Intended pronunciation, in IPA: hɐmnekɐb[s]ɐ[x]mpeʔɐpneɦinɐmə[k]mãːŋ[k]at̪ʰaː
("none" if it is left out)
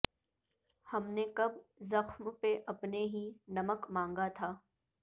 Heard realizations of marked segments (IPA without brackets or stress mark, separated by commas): z, x, k, ɡ